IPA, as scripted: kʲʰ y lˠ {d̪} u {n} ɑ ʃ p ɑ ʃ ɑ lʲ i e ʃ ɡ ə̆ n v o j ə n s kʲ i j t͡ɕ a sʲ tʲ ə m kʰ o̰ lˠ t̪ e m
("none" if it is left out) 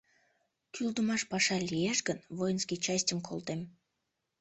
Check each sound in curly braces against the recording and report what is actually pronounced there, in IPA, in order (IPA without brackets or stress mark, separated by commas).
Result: d̪, m